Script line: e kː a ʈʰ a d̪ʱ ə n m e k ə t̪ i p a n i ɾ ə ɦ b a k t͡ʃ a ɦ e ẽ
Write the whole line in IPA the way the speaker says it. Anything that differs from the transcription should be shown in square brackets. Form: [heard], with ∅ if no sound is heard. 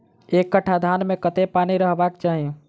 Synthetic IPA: e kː [ə] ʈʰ a d̪ʱ [a] n m e k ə t̪ [e] p a n i ɾ ə ɦ b a k t͡ʃ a ɦ [i] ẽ